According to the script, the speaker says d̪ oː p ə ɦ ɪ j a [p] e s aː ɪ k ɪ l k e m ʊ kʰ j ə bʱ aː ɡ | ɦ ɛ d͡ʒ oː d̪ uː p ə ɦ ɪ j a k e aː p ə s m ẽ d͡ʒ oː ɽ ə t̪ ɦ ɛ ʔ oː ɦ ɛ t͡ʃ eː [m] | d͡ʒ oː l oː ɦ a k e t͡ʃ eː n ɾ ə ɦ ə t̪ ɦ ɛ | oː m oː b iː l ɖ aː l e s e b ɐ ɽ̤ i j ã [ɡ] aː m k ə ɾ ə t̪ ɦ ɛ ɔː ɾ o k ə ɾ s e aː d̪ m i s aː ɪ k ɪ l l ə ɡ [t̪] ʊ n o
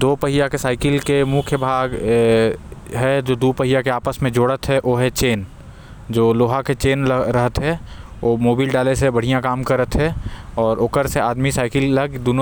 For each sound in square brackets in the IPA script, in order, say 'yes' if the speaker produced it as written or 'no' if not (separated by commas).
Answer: no, no, no, no